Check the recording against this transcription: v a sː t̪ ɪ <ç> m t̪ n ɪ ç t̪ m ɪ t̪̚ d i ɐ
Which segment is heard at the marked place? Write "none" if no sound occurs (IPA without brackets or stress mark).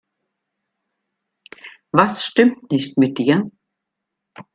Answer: none